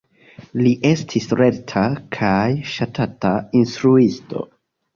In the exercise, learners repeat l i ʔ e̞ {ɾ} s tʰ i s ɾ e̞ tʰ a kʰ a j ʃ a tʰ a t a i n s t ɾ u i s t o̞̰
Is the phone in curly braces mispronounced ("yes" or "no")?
yes